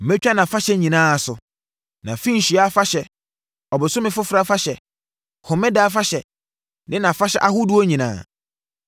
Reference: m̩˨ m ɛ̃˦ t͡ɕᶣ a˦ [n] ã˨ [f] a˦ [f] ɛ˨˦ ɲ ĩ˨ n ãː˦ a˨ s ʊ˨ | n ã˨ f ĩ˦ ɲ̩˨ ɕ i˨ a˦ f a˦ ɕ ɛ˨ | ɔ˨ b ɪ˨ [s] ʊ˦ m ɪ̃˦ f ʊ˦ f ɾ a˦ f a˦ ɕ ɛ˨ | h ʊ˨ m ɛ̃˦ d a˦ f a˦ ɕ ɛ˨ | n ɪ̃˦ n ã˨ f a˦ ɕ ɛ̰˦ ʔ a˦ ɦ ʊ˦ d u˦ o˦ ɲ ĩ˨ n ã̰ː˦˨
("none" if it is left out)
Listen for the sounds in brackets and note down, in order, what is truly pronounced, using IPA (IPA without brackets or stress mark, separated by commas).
n, f, ɕ, s